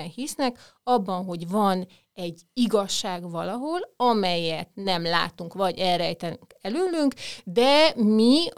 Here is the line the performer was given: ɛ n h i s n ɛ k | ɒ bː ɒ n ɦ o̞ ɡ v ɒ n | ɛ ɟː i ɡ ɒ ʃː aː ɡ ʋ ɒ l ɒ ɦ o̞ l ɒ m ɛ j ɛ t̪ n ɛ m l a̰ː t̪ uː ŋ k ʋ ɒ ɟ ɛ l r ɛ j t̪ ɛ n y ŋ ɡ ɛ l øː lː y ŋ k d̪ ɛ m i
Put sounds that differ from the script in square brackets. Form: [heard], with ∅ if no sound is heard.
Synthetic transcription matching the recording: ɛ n h i s n ɛ k | ɒ bː ɒ n ɦ o̞ [ɟ] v ɒ n | ɛ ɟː i ɡ ɒ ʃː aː ɡ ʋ ɒ l ɒ ɦ o̞ l ɒ m ɛ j ɛ t̪ n ɛ m l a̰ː t̪ [u] ŋ k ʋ ɒ ɟ ɛ l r ɛ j t̪ ɛ n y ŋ [k] ɛ l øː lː y ŋ k d̪ ɛ m i